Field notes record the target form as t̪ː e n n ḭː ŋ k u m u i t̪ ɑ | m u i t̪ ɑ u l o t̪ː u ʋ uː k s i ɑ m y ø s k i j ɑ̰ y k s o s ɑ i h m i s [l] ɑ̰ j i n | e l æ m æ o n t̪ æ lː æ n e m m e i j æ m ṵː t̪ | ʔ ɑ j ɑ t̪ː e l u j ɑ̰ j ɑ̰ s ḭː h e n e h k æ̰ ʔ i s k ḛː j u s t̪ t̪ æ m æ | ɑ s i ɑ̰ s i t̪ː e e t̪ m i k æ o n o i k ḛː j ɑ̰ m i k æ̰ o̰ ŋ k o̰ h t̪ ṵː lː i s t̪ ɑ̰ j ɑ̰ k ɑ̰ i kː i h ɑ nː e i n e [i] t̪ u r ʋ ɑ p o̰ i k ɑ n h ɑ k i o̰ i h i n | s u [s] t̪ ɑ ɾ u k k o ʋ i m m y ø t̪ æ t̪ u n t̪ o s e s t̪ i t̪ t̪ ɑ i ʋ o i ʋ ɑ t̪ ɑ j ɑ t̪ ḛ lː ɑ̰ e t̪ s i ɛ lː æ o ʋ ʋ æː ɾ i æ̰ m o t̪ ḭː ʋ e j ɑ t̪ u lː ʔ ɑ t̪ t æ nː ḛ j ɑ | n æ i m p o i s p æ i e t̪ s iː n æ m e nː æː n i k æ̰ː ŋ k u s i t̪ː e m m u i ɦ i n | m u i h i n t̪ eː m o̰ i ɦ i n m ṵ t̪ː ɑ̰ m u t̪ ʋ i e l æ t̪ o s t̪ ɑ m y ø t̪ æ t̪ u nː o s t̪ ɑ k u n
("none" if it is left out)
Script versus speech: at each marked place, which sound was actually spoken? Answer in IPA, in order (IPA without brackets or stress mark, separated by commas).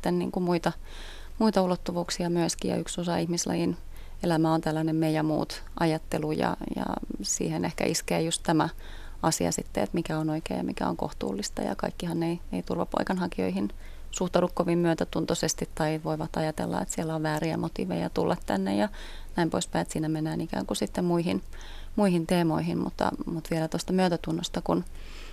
l, i, h